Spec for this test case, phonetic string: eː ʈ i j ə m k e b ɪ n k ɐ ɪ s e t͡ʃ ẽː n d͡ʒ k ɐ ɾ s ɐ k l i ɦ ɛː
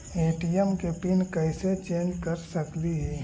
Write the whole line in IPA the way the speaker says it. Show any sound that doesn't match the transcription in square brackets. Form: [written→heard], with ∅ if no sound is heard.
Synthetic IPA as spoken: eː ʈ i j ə m k e [b→p] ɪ n k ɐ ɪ s e t͡ʃ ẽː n d͡ʒ k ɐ ɾ s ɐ k l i ɦ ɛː